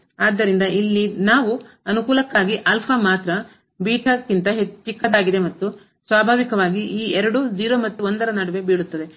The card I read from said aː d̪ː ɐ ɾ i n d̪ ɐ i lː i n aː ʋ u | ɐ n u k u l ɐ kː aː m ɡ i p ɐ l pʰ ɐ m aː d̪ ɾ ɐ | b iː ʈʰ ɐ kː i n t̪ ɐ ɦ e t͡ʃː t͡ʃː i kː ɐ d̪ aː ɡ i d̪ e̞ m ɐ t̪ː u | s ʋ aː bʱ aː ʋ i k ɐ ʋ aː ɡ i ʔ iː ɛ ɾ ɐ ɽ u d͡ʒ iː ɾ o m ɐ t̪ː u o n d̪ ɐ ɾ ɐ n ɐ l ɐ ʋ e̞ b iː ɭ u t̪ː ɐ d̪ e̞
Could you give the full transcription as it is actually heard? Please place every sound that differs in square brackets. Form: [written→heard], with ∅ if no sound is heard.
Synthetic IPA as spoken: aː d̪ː ɐ ɾ i n d̪ ɐ i lː i n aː ʋ u | ɐ n u k [u→uː] l ɐ kː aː [m→∅] ɡ i [p→ʔ] ɐ l pʰ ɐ m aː [d̪→t̪] ɾ ɐ | b iː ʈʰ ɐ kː i n t̪ ɐ ɦ e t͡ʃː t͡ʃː i kː ɐ d̪ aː ɡ i d̪ e̞ m ɐ t̪ː u | s ʋ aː bʱ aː ʋ i k ɐ ʋ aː ɡ i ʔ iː ɛ ɾ ɐ ɽ u d͡ʒ iː ɾ o m ɐ t̪ː u o n d̪ ɐ ɾ ɐ n ɐ [l→ɽ] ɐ ʋ e̞ b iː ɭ u t̪ː ɐ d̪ e̞